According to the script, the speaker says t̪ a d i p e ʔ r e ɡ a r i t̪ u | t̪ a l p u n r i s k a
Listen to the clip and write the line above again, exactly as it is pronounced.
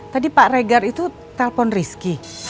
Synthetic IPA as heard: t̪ a d i p a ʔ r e ɡ a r i t̪ u | t̪ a l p ɔ n r i s k i